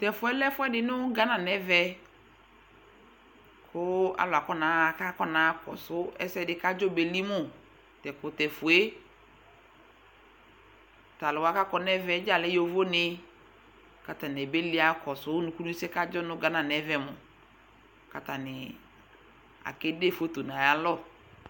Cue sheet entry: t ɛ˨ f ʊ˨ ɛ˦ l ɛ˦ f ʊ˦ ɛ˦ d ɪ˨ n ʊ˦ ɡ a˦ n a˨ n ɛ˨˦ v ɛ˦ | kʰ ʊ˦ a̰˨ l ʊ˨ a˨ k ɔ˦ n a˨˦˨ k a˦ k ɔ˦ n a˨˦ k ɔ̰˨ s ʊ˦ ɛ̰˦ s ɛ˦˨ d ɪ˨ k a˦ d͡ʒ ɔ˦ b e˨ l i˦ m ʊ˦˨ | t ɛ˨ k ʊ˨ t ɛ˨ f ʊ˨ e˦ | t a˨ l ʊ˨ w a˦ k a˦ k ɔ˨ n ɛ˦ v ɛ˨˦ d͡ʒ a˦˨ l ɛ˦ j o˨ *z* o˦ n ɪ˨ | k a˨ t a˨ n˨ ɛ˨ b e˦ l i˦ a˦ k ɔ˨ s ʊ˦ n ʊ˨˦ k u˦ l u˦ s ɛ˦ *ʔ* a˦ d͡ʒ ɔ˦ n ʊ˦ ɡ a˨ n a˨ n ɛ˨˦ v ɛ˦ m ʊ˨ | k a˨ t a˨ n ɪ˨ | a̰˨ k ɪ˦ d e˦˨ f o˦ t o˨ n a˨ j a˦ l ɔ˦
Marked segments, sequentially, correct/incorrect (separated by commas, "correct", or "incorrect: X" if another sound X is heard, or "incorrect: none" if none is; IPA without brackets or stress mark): incorrect: v, incorrect: k